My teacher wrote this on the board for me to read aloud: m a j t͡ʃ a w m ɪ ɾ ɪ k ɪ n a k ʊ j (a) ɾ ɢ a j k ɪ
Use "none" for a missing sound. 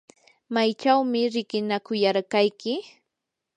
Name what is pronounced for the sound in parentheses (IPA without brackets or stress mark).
a